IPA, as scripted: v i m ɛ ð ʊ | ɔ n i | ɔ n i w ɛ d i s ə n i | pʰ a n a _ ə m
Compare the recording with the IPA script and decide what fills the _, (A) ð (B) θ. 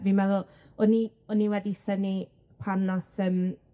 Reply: B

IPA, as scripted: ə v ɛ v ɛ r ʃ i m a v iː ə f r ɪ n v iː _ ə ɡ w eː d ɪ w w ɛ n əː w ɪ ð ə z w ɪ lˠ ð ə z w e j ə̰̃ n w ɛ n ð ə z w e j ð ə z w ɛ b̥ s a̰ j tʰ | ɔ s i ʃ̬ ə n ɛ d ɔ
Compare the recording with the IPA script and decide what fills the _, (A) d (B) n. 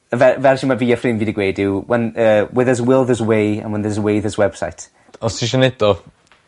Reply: A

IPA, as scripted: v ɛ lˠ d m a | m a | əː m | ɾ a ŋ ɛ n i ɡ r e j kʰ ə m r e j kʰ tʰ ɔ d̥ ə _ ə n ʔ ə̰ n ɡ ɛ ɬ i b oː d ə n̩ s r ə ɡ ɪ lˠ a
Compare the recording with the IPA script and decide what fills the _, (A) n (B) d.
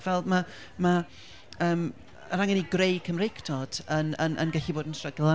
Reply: A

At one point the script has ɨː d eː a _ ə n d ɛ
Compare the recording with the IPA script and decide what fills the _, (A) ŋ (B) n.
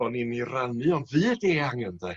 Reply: A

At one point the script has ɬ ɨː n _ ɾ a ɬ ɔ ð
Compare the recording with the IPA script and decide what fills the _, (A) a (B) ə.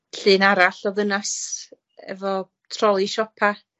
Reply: A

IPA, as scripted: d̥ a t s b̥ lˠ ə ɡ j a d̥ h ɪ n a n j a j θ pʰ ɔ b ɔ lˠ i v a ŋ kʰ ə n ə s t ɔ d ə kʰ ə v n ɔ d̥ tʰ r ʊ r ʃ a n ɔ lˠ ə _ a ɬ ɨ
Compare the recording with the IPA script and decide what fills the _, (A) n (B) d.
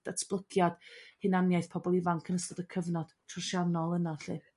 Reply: A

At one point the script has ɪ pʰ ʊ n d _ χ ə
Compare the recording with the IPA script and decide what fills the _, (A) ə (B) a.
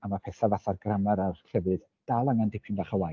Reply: B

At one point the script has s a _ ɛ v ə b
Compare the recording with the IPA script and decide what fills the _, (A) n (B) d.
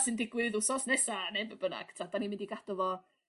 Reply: A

